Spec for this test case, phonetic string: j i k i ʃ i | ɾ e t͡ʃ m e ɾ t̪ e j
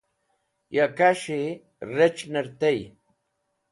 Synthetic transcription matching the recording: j a k a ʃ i | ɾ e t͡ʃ n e ɾ t̪ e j